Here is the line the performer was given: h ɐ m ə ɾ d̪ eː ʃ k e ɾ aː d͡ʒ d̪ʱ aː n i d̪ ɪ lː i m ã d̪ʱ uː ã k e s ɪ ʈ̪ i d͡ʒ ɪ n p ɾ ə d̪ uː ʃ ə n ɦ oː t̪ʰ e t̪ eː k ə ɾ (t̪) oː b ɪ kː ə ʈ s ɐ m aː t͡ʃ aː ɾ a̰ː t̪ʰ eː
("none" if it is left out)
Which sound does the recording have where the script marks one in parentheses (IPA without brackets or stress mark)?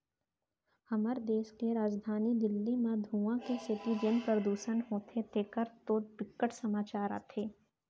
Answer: t̪